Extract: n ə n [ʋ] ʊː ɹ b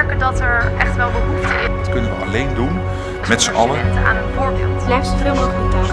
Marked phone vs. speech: incorrect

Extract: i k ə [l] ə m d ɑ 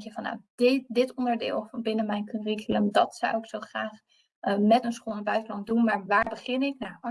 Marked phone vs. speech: correct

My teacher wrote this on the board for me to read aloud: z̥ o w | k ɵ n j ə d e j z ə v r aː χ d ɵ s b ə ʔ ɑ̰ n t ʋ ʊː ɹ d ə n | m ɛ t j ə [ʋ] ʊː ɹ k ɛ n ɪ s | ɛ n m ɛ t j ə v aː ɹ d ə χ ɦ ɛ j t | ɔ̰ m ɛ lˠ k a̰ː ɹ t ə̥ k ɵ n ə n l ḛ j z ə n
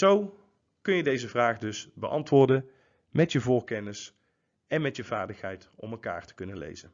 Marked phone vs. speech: incorrect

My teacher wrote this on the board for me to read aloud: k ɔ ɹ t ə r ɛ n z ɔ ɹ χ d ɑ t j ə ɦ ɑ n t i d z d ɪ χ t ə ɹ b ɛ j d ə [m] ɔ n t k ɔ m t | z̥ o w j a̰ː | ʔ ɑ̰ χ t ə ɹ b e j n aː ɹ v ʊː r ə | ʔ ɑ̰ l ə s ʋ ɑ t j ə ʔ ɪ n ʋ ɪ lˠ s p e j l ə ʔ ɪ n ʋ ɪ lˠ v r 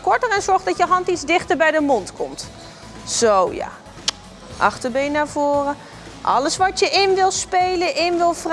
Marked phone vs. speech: correct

